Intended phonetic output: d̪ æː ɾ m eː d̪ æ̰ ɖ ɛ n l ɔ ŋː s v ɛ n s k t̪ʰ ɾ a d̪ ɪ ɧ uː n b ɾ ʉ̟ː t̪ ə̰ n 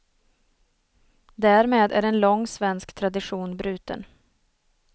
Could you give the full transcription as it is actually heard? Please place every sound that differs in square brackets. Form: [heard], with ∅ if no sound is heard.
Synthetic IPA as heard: d̪ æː ɾ m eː d̪ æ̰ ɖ ɛ n l ɔ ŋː s v ɛ n s k t̪ʰ ɾ a d̪ ɪ ɧ uː n b ɾ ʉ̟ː t̪ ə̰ n